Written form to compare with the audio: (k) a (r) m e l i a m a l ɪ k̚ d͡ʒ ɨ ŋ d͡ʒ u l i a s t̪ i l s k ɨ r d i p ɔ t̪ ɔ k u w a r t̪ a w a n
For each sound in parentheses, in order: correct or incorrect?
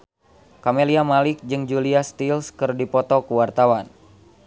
correct, incorrect: none

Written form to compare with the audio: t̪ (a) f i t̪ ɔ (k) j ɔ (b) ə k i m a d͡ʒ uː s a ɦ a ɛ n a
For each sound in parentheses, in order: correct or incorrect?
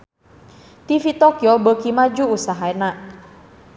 incorrect: i, correct, correct

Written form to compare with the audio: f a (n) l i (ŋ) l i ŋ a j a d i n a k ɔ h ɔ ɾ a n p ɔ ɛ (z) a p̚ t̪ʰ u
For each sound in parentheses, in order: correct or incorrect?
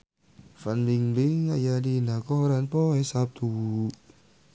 correct, correct, incorrect: s

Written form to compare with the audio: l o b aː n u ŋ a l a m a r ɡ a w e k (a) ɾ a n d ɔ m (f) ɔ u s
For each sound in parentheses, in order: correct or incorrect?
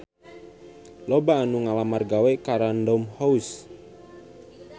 correct, incorrect: h

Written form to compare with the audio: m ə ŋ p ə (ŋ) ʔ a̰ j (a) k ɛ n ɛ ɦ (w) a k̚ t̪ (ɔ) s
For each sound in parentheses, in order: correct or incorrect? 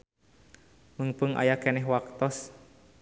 correct, correct, correct, correct

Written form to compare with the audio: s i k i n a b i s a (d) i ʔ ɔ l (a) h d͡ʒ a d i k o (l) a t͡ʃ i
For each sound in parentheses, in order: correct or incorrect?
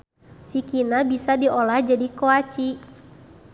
correct, correct, incorrect: none

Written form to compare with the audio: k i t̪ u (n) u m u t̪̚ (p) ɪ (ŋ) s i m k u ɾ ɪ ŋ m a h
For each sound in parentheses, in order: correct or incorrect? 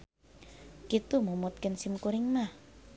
incorrect: m, incorrect: k, incorrect: n

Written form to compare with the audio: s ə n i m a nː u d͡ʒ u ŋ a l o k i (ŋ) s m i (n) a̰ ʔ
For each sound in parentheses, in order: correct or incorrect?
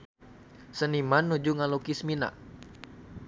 incorrect: none, correct

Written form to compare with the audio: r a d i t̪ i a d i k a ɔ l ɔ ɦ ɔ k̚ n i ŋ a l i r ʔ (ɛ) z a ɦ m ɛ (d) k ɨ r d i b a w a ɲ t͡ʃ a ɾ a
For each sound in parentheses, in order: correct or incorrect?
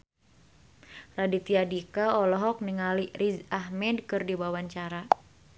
incorrect: i, correct

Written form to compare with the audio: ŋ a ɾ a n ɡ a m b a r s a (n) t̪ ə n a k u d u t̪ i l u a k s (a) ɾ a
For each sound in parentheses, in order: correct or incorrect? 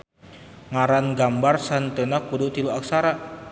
correct, correct

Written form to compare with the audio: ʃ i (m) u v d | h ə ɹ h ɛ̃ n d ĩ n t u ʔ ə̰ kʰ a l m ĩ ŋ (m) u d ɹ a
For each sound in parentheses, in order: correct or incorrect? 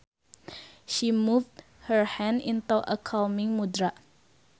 correct, correct

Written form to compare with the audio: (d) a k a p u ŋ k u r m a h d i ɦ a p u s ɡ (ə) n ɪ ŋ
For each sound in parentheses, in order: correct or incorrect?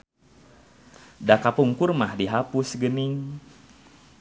correct, correct

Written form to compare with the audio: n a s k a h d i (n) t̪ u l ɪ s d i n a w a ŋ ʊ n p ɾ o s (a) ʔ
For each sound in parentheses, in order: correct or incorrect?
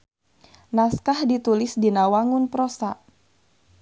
incorrect: none, correct

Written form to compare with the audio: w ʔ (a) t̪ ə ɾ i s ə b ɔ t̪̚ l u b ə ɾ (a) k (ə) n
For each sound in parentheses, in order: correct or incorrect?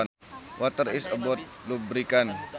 correct, incorrect: i, incorrect: a

